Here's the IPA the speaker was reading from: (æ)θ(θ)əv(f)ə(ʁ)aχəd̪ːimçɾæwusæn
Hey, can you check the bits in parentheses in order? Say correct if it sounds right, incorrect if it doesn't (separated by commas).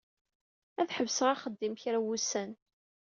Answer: correct, incorrect, incorrect, correct